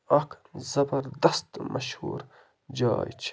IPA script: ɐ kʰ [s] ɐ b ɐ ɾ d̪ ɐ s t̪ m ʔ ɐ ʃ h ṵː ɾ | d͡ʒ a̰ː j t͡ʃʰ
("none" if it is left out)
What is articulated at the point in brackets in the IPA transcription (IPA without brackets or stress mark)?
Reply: z